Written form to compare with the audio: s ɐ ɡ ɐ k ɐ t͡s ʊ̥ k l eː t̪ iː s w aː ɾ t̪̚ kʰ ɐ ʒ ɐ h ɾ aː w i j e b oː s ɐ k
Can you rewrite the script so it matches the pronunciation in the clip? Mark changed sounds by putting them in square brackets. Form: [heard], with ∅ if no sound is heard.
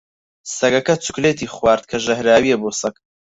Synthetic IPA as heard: s ɐ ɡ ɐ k ɐ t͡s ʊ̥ k l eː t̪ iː [χ] w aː ɾ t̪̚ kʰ ɐ ʒ ɐ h ɾ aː w i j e b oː s ɐ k